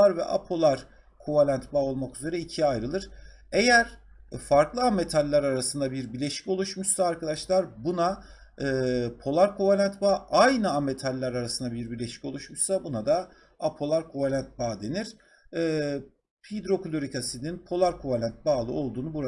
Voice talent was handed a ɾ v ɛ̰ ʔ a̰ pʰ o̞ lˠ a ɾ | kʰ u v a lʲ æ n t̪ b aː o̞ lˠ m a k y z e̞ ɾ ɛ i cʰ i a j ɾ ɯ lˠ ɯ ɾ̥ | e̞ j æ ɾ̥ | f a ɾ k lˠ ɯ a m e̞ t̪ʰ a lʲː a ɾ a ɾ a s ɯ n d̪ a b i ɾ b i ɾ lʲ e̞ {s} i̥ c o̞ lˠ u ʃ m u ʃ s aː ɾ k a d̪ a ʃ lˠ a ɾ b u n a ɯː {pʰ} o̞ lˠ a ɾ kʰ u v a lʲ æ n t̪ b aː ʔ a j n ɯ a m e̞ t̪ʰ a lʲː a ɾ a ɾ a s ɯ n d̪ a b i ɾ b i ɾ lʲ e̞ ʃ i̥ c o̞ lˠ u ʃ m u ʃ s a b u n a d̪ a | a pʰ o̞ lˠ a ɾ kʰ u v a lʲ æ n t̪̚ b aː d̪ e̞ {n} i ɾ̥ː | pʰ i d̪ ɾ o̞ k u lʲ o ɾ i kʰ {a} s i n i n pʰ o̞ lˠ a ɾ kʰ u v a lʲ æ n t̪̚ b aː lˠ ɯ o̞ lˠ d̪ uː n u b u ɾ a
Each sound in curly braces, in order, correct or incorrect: incorrect, correct, correct, correct

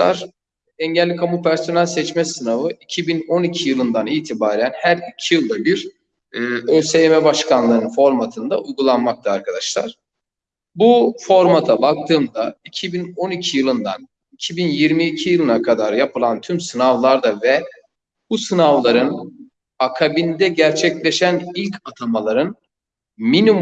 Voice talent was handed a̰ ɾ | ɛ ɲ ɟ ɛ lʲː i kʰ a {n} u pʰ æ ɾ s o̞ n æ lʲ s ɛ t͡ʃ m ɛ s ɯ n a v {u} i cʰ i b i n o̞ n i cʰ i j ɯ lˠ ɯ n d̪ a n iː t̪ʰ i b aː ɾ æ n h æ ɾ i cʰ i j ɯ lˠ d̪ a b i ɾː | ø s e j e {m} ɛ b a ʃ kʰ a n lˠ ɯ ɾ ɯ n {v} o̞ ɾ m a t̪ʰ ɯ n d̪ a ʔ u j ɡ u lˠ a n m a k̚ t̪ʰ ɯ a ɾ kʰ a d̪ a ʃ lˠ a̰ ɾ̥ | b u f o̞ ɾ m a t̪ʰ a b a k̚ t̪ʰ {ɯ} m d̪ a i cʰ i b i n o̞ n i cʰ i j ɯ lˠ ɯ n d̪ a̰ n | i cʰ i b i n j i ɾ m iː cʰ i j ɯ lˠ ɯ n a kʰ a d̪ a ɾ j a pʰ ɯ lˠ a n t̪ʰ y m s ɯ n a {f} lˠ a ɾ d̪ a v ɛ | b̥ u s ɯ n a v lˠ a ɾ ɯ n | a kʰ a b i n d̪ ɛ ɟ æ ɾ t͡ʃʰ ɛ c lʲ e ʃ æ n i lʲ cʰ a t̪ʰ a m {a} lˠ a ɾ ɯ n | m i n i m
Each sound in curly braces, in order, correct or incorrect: incorrect, incorrect, correct, incorrect, incorrect, incorrect, correct

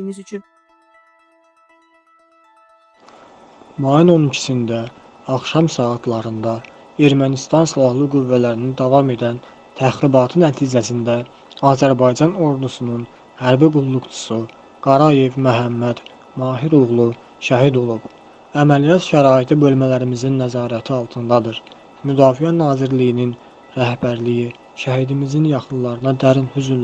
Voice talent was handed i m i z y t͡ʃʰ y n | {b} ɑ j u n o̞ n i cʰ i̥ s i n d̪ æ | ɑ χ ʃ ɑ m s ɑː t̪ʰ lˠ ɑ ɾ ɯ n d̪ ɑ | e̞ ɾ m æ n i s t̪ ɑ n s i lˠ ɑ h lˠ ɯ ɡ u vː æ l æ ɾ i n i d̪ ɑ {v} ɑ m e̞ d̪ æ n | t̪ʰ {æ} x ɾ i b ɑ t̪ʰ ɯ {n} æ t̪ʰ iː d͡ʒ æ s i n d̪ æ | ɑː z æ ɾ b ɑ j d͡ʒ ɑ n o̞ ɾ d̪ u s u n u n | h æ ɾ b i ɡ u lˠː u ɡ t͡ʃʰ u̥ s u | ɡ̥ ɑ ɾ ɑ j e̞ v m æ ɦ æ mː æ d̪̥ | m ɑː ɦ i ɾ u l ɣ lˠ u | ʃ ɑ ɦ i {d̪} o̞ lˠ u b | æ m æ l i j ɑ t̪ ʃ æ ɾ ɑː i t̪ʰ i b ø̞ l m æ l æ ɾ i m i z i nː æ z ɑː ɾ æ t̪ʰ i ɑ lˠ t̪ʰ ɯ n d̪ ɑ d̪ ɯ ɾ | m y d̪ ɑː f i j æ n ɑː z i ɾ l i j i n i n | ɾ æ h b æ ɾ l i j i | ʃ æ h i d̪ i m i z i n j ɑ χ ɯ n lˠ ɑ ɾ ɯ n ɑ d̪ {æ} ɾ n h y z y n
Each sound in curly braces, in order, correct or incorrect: incorrect, correct, correct, correct, correct, correct

